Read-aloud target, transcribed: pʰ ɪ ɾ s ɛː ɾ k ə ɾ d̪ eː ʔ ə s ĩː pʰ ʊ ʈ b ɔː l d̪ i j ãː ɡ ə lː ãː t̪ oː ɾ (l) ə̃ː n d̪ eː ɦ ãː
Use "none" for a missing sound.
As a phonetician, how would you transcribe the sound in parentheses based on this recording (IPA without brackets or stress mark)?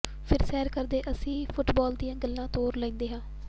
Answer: l